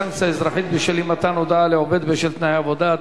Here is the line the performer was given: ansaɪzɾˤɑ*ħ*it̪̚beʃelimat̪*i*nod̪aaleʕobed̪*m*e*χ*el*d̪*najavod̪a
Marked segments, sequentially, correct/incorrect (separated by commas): correct, incorrect, incorrect, incorrect, incorrect